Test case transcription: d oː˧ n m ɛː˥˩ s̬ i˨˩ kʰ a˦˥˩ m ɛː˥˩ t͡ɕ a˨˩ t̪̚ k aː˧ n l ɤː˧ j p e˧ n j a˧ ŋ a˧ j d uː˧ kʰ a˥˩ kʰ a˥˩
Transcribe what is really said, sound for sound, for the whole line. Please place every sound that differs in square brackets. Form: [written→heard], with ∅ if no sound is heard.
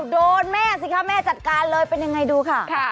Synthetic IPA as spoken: d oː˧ n m ɛː˥˩ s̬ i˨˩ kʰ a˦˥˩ m ɛː˥˩ t͡ɕ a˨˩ t̪̚ k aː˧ n l ɤː˧ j p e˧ n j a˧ ŋ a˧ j d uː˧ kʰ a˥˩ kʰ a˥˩